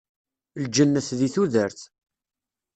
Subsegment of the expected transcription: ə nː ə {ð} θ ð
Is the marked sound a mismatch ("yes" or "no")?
yes